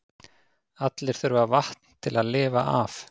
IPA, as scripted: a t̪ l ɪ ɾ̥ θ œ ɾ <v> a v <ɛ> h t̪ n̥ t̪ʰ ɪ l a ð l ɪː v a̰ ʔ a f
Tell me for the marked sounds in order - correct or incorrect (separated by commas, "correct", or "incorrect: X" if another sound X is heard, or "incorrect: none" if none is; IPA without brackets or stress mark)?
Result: correct, incorrect: a